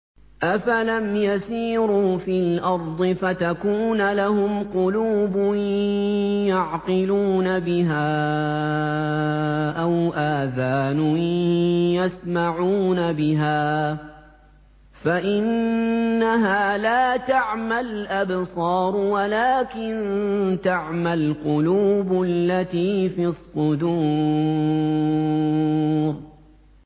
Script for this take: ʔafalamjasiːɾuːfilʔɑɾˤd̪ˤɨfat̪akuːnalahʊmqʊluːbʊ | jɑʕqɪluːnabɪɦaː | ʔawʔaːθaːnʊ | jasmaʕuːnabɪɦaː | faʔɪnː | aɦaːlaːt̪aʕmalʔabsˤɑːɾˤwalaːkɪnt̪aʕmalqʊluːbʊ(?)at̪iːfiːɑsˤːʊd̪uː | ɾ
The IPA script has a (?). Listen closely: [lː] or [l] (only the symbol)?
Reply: lː